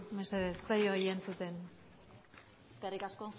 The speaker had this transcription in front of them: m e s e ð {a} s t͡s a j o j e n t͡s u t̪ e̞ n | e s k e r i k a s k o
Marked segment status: incorrect: e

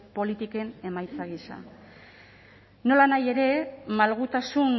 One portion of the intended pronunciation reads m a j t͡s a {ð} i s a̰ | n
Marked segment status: incorrect: ɣ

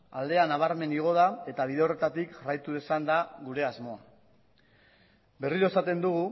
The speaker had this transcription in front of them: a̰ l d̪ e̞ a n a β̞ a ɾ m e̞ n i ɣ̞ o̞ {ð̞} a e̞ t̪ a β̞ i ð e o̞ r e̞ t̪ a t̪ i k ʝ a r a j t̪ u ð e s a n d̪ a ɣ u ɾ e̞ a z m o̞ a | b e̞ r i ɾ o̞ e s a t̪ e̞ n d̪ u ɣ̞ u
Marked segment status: correct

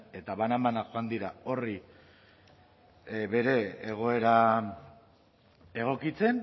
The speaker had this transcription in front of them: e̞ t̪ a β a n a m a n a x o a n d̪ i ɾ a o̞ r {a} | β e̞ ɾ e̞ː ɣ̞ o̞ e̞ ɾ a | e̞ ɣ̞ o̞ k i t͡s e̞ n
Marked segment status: incorrect: i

